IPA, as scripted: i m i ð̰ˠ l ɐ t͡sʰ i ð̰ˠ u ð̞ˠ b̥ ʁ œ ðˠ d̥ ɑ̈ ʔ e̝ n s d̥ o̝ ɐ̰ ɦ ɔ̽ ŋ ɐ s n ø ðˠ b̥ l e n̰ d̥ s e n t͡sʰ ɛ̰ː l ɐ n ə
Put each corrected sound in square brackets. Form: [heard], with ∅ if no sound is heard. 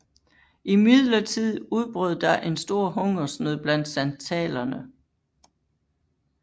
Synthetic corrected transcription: i m i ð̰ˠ l ɐ t͡sʰ i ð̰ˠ u ð̞ˠ b̥ ʁ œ ðˠ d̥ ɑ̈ ʔ e̝ n s d̥ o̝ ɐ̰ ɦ ɔ̽ ŋ ɐ s n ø ðˠ b̥ l [æ] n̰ d̥ s [æ] n t͡sʰ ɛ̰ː l ɐ n ə